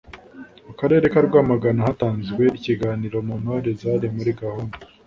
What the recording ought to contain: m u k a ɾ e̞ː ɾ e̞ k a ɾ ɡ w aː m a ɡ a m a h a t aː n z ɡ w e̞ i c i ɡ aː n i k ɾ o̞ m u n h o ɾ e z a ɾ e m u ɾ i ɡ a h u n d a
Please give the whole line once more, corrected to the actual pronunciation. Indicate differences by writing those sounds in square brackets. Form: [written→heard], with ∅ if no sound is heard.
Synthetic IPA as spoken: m u k a ɾ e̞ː ɾ e̞ k a ɾ ɡ w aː m a ɡ a [m→n] a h a t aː n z ɡ w e̞ i c i ɡ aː n i [k→∅] ɾ o̞ m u n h o ɾ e z a ɾ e m u ɾ i ɡ a h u n d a